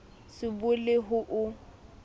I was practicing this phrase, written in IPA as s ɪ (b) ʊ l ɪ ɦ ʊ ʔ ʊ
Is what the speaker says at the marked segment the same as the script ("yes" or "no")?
yes